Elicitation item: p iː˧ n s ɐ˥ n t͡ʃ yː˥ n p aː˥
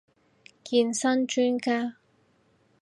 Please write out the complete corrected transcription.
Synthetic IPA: k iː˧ n s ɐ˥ n t͡ʃ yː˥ n k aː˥